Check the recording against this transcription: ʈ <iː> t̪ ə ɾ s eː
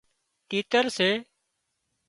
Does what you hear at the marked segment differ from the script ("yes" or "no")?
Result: no